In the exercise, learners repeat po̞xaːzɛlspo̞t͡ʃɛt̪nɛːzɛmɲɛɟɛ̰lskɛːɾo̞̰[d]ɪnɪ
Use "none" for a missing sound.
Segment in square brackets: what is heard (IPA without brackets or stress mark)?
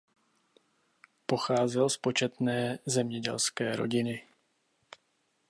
ɟ